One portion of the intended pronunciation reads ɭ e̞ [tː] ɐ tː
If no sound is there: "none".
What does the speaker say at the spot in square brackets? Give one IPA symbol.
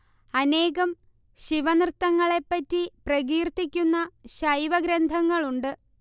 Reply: pː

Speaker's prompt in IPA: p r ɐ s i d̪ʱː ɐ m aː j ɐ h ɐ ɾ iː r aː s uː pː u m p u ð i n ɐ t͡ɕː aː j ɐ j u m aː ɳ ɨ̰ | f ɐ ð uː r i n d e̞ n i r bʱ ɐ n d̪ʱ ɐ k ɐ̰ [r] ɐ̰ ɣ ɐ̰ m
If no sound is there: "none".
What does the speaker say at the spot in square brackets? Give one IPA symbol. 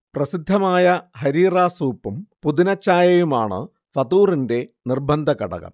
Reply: ɽ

